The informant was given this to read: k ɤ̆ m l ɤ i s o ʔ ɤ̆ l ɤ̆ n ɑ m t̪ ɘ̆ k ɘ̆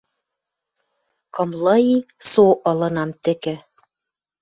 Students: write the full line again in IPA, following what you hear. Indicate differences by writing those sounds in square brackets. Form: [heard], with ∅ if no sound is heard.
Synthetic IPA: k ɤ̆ m l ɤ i s o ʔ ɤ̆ l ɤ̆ n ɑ m t̪ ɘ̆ k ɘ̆